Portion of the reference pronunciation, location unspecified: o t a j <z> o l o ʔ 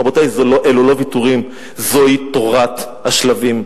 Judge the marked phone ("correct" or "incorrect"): correct